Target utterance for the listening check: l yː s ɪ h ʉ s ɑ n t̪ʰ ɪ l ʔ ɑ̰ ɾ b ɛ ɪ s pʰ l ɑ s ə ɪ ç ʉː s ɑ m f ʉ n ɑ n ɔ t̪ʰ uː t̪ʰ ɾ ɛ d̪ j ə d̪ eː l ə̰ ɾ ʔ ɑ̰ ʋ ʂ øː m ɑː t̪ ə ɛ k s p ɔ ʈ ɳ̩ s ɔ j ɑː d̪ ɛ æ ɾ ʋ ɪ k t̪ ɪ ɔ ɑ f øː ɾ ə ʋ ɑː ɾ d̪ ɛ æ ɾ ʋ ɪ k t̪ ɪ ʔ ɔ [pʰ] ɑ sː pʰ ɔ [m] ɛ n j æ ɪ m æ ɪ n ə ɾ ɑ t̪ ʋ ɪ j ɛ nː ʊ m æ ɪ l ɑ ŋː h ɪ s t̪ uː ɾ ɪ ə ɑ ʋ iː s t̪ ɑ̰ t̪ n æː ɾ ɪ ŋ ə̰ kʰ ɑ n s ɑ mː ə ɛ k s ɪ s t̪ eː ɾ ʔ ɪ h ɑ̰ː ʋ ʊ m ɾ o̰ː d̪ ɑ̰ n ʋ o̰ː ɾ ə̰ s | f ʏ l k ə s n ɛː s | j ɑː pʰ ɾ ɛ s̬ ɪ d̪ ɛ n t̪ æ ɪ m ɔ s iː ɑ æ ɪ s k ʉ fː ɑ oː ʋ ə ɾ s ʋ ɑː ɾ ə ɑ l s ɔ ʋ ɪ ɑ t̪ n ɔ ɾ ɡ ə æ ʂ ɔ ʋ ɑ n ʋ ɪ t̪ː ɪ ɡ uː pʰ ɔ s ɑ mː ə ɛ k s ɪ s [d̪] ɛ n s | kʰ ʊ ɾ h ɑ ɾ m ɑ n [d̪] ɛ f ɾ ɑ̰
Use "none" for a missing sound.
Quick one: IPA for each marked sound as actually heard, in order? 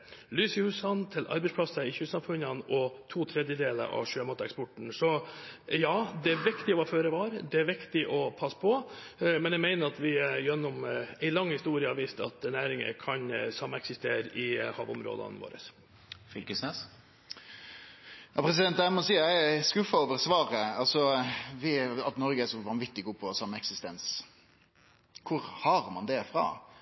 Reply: pʰ, m, t̪, d̪

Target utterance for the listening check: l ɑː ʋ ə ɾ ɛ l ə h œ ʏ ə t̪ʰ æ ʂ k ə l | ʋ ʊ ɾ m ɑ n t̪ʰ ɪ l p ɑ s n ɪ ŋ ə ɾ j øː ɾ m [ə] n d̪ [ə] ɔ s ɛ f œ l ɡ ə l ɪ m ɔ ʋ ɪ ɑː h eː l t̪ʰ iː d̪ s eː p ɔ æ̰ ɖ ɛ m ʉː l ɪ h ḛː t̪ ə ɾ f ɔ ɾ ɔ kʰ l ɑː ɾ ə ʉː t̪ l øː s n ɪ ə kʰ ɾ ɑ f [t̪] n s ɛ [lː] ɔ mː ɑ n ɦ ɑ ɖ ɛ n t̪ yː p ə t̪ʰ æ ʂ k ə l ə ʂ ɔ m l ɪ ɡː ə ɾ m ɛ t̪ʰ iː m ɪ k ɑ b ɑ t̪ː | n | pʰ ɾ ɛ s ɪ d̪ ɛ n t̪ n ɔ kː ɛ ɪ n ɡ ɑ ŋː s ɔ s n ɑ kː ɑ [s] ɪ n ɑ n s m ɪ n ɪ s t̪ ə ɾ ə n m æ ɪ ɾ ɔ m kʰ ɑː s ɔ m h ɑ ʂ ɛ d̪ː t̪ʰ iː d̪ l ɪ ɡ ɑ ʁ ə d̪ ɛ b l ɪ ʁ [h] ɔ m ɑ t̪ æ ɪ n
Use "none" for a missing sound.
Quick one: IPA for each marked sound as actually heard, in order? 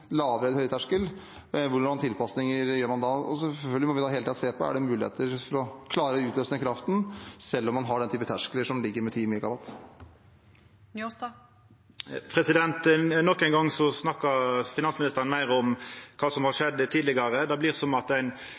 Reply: ɑ, ɑ, t̪, lː, f, s

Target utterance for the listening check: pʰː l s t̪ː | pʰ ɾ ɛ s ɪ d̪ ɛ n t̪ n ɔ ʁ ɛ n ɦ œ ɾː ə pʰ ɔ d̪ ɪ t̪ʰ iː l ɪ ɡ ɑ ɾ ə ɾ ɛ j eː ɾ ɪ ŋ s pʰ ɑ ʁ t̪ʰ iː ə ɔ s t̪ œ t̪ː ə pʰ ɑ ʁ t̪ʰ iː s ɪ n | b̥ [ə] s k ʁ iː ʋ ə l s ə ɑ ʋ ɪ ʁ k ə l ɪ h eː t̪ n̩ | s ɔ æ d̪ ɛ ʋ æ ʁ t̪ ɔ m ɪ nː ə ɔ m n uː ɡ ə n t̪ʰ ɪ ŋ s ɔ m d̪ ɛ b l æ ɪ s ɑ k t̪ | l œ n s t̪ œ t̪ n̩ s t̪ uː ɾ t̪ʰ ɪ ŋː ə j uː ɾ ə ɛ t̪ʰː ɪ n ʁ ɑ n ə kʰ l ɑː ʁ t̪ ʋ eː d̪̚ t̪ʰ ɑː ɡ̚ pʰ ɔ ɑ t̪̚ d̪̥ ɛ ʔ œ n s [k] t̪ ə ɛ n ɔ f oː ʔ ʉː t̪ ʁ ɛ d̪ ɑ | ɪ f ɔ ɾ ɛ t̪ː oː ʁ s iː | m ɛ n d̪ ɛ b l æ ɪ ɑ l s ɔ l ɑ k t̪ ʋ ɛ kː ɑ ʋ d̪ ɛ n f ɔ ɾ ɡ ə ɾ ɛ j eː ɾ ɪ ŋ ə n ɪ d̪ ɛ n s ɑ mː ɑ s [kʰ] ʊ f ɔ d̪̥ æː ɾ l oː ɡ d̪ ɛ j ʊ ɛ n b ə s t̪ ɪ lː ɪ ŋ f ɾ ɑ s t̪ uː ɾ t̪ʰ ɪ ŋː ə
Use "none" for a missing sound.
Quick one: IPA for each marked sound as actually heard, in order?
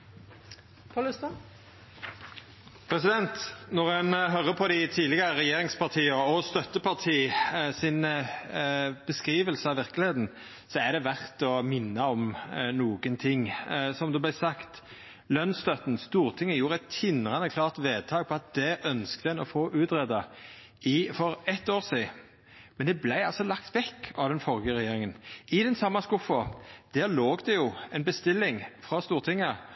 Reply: ə, k, k

